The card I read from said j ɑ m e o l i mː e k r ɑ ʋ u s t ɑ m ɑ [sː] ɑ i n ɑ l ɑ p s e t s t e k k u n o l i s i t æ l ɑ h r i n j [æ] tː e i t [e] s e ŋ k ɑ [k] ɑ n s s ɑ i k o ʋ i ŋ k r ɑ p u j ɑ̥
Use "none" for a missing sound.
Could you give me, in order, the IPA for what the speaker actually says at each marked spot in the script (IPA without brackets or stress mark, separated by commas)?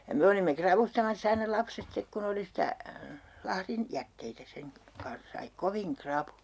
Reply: sː, æ, æ, k